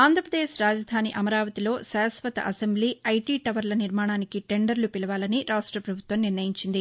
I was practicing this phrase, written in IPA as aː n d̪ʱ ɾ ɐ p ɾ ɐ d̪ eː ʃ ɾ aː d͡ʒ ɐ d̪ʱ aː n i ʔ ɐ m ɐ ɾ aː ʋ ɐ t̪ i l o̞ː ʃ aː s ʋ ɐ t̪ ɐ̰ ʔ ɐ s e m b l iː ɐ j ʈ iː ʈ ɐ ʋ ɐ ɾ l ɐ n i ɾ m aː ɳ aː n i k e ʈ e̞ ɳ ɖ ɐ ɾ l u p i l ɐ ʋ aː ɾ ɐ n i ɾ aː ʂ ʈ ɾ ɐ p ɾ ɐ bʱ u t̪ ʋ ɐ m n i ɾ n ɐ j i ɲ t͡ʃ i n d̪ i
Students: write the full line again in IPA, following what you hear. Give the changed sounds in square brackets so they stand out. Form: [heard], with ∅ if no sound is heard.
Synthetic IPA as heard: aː n d̪ʱ ɾ ɐ p ɾ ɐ d̪ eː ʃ ɾ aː d͡ʒ ɐ d̪ʱ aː n i ʔ ɐ m ɐ ɾ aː ʋ ɐ t̪ i l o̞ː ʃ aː s ʋ ɐ t̪ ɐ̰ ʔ ɐ s e m b l iː ɐ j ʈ iː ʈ ɐ ʋ ɐ ɾ l ɐ n i ɾ m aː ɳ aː n i k [i] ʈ e̞ ɳ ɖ ɐ ɾ l u p i l ɐ ʋ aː [l] ɐ n i ɾ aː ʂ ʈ ɾ ɐ p ɾ ɐ bʱ u t̪ ʋ ɐ m n i ɾ n ɐ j i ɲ t͡ʃ i n d̪ i